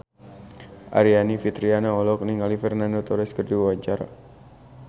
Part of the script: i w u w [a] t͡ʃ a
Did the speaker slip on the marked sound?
no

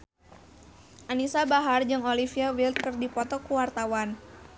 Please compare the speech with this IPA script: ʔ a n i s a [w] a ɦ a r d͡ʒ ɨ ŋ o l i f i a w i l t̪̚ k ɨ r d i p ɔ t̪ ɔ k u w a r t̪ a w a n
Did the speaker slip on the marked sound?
yes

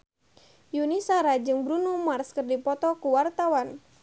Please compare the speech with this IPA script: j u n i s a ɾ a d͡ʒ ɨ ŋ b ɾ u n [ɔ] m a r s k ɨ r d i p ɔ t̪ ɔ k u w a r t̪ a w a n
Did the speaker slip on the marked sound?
yes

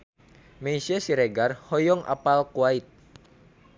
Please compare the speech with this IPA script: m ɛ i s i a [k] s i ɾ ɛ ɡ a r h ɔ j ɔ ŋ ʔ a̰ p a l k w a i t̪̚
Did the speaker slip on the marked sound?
yes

